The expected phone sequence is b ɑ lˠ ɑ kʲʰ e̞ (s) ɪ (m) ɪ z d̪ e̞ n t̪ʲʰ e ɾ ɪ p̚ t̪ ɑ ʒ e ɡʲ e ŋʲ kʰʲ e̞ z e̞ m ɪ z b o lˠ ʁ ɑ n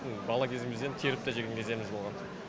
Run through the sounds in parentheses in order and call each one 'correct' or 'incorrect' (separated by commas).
incorrect, correct